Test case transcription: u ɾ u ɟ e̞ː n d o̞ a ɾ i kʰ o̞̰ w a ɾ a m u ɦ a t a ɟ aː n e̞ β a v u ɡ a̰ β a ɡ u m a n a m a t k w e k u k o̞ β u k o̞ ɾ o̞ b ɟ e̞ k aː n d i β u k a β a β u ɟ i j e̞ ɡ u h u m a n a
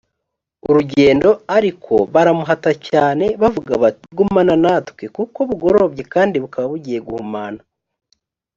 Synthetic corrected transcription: u ɾ u ɟ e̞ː n d o̞ a ɾ i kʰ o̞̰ β a ɾ a m u ɦ a t a c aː n e̞ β a v u ɡ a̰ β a ɡ u m a n a n a t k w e k u k o̞ β u ɡ o̞ ɾ o̞ b ɟ e̞ k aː n d i β u k a β a β u ɟ i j e̞ ɡ u h u m a n a

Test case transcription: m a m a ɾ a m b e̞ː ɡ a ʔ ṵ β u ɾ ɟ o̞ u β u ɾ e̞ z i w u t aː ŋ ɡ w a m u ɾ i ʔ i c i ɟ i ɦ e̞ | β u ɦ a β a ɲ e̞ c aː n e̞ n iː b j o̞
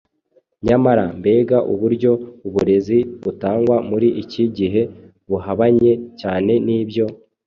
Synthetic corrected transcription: ɲ a m a ɾ a m b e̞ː ɡ a ʔ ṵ β u ɾ ɟ o̞ u β u ɾ e̞ z i β u t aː ŋ ɡ w a m u ɾ i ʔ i c i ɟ i ɦ e̞ | β u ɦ a β a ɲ e̞ c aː n e̞ n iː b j o̞

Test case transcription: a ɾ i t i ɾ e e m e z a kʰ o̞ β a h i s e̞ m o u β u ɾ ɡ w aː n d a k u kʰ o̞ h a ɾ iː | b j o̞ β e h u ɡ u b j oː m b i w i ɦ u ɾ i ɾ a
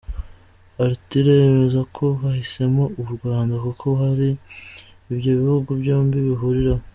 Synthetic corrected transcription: a ɾ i t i ɾ e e m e z a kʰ o̞ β a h i s e̞ m o u β u ɾ ɡ w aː n d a k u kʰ o̞ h a ɾ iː | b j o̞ β i h u ɡ u b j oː m b i β i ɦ u ɾ i ɾ a

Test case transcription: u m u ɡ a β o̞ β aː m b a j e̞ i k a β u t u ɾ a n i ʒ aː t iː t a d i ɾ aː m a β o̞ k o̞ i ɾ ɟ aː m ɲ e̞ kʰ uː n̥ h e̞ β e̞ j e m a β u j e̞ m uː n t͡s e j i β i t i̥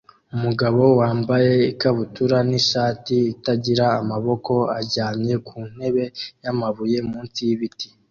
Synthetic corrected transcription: u m u ɡ a β o̞ w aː m b a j e̞ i k a β u t u ɾ a n i ʃ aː t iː t a ɟ i ɾ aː m a β o̞ k o̞ a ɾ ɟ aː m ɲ e̞ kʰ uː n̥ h e̞ β e̞ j a m a β u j e̞ m uː n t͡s i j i β i t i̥

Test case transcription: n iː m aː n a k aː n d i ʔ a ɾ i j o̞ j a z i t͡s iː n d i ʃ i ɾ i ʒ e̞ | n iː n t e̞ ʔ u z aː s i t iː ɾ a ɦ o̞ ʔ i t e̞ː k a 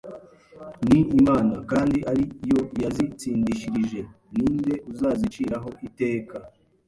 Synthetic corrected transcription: n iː m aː n a k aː n d i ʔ a ɾ i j o̞ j a z i t͡s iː n d i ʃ i ɾ i ʒ e̞ | n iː n d e̞ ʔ u z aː z i t͡ʃ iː ɾ a ɦ o̞ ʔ i t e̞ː k a

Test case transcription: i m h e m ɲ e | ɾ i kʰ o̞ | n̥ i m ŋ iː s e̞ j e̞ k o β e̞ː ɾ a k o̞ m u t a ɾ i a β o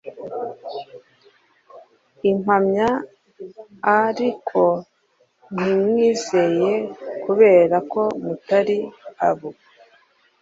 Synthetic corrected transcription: i m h a m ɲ a | ɾ i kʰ o̞ | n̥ i m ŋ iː z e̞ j e̞ k u β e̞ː ɾ a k o̞ m u t a ɾ i a β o

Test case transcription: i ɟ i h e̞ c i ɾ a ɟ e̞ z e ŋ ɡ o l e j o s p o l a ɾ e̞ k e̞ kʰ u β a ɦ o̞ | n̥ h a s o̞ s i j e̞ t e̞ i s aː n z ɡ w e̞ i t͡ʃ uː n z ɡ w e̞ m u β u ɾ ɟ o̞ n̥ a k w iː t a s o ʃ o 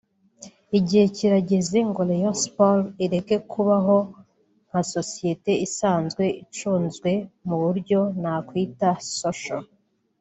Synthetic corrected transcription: i ɟ i h e̞ c i ɾ a ɟ e̞ z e ŋ ɡ o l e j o s p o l i ɾ e̞ k e̞ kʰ u β a ɦ o̞ | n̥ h a s o̞ s i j e̞ t e̞ i s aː n z ɡ w e̞ i t͡ʃ uː n z ɡ w e̞ m u β u ɾ ɟ o̞ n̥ a k w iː t a s o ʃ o

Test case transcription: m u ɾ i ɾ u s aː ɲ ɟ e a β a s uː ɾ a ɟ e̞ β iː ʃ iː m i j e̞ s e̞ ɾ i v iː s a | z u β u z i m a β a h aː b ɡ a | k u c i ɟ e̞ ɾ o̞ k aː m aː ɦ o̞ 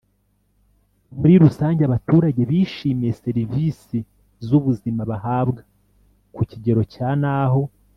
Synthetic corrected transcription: m u ɾ i ɾ u s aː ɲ ɟ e a β a t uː ɾ a ɟ e̞ β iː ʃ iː m i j e̞ s e̞ ɾ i v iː s i | z u β u z i m a β a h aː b ɡ a | k u c i ɟ e̞ ɾ o̞ c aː n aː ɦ o̞

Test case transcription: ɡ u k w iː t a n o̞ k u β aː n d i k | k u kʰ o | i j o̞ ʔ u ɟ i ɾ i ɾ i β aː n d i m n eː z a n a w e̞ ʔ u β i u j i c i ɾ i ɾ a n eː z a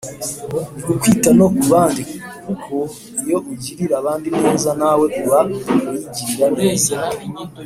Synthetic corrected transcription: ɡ u k w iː t a n o̞ k u β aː n d i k | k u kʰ o | i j o̞ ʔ u ɟ i ɾ i ɾ a β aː n d i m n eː z a n a w e̞ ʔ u β a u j i ɟ i ɾ i ɾ a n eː z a

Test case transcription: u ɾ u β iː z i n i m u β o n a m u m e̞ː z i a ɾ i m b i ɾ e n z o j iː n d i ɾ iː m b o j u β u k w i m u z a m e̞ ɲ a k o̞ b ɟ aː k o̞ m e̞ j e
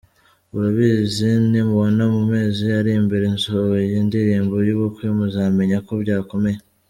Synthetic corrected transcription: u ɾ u β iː z i n i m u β o n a m u m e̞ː z i a ɾ i m b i ɾ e n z o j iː n d i ɾ iː m b o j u β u k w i m u z a m e̞ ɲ a k o̞ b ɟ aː k o̞ m e̞ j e

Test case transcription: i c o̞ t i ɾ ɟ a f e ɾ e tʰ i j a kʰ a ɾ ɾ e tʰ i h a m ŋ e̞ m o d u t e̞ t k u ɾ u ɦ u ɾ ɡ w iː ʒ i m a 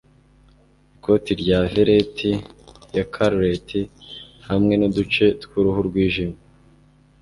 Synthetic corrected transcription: i k o̞ t i ɾ ɟ a v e ɾ e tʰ i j a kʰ a ɾ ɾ e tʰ i h a m ŋ e̞ n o d u t͡ʃ e̞ t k u ɾ u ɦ u ɾ ɡ w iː ʒ i m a

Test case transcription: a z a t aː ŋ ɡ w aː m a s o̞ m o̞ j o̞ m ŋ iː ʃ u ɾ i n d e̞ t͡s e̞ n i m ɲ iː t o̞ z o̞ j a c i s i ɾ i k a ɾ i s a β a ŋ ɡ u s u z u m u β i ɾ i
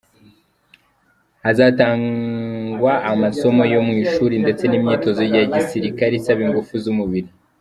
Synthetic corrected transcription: a z a t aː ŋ ɡ w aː m a s o̞ m o̞ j o̞ m ŋ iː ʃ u ɾ i n d e̞ t͡s e̞ n i m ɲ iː t o̞ z o̞ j a ɟ i s i ɾ i k a ɾ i s a β i ŋ ɡ u f u z u m u β i ɾ i

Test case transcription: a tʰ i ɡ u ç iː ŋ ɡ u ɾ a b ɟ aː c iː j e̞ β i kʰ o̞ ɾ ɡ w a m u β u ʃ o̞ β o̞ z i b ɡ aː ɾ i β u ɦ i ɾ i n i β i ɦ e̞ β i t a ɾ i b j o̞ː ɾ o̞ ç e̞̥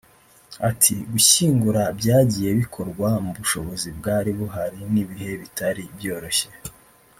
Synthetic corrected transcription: a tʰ i ɡ u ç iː ŋ ɡ u ɾ a b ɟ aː ɟ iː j e̞ β i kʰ o̞ ɾ ɡ w a m u β u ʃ o̞ β o̞ z i b ɡ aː ɾ i β u ɦ a ɾ i n i β i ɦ e̞ β i t a ɾ i b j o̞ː ɾ o̞ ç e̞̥

